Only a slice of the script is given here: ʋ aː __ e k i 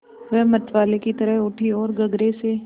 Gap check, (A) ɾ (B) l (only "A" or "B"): B